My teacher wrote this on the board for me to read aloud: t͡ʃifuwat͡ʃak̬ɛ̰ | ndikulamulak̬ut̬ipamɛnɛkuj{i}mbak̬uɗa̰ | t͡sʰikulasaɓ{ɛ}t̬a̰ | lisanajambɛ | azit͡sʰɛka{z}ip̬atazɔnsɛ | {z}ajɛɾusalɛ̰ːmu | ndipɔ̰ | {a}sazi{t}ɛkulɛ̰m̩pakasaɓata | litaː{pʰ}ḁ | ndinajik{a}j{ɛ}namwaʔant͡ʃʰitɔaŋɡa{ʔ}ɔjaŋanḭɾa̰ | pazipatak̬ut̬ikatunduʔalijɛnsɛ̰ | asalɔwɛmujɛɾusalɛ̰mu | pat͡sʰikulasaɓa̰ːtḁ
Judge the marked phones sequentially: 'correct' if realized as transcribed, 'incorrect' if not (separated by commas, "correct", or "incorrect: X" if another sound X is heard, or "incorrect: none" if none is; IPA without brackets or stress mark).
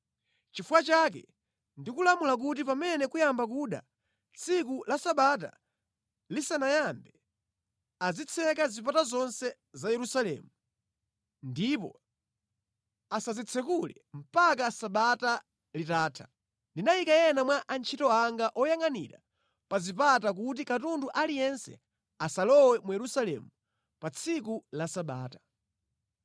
incorrect: a, incorrect: a, correct, correct, correct, incorrect: t͡sʰ, incorrect: tʰ, correct, correct, correct